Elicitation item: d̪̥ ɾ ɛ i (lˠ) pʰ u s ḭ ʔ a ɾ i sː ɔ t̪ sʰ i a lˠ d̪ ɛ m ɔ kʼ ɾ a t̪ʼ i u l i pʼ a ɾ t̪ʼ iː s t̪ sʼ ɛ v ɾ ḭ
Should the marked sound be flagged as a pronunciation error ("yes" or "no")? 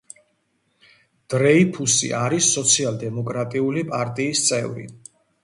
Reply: yes